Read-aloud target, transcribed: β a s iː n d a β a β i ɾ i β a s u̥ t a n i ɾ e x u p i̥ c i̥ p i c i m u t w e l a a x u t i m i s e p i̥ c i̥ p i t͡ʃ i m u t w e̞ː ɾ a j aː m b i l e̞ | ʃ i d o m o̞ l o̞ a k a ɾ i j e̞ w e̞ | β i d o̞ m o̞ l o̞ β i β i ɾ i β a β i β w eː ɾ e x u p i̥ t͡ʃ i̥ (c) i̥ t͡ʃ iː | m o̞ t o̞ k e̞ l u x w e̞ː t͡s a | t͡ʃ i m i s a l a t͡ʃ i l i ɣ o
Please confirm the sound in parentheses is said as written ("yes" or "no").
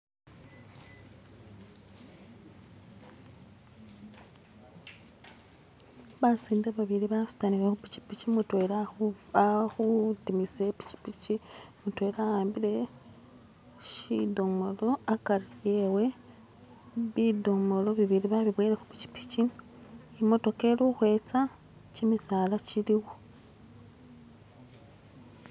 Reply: no